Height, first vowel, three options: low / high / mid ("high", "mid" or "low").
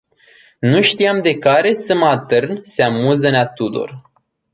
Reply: high